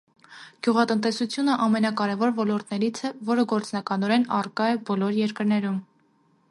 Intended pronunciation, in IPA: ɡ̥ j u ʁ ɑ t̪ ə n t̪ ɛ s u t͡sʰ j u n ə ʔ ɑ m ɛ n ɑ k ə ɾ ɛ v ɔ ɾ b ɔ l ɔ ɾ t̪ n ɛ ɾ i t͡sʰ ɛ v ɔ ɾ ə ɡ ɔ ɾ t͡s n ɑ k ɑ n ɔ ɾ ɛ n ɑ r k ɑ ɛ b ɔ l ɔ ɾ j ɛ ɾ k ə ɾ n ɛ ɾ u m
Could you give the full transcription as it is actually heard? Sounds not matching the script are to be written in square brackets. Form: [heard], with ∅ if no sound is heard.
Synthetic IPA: ɡ̥ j u ʁ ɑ t̪ ə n t̪ ɛ s u t͡sʰ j u n ə ʔ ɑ m ɛ n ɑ k [ɑ] ɾ ɛ v ɔ ɾ [v] ɔ l ɔ ɾ t̪ n ɛ ɾ i t͡sʰ ɛ v ɔ ɾ ə ɡ ɔ ɾ t͡s n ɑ k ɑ n ɔ ɾ ɛ n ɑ r k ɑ ɛ b ɔ l ɔ ɾ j ɛ ɾ k ə ɾ n ɛ ɾ u m

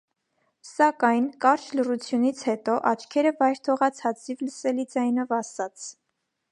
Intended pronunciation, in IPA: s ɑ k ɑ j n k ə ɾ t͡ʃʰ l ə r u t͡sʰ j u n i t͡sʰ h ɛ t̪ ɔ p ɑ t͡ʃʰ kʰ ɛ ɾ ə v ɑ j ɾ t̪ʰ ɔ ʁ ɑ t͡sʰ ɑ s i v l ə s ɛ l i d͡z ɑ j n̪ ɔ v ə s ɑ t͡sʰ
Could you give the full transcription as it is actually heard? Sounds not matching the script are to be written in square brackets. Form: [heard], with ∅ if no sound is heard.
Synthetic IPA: s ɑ k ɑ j n k [ɑ] ɾ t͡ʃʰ l ə r u t͡sʰ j u n i t͡sʰ h ɛ t̪ ɔ [ʔ] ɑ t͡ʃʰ kʰ ɛ ɾ ə v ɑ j ɾ t̪ʰ ɔ ʁ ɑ t͡sʰ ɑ [t͡s] i v l ə s ɛ l i d͡z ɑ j n̪ ɔ v [ɑ] s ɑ t͡sʰ

